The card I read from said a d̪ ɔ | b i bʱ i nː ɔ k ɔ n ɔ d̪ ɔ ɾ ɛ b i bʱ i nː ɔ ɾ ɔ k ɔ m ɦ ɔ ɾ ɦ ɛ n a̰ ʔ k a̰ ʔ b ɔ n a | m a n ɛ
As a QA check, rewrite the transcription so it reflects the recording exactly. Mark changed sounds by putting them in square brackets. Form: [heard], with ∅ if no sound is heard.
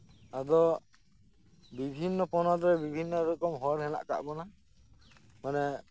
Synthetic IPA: a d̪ ɔ | b i bʱ i nː ɔ [p] ɔ n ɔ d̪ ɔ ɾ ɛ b i bʱ i nː ɔ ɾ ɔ k ɔ m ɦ ɔ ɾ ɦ ɛ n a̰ ʔ k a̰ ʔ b ɔ n a | m a n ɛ